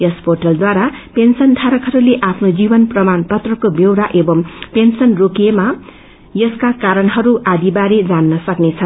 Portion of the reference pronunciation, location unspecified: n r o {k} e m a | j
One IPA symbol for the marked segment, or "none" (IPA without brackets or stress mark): k